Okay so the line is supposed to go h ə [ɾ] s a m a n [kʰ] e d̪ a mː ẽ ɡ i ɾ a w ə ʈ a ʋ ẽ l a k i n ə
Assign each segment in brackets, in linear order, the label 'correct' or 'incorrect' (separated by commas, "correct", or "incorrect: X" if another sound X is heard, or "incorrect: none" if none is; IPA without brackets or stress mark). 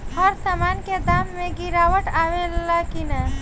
correct, incorrect: k